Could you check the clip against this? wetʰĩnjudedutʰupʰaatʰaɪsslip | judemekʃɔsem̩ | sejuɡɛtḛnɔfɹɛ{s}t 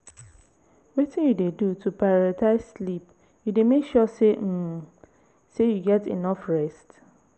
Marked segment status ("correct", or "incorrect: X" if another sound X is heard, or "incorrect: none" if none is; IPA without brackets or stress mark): correct